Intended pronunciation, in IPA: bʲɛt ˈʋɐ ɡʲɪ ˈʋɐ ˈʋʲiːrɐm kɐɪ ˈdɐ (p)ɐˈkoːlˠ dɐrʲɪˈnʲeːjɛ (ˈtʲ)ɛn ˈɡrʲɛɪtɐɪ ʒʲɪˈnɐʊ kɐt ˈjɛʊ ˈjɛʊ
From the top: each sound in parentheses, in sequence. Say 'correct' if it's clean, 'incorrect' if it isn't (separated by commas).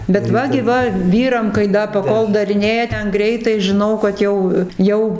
correct, correct